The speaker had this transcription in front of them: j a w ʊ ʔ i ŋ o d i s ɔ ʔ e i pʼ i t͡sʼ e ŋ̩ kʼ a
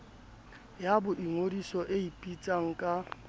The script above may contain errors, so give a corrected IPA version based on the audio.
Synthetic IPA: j a b ʊ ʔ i ŋ o d i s ɔ ʔ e i pʼ i t͡sʼ a ŋ̩ kʼ a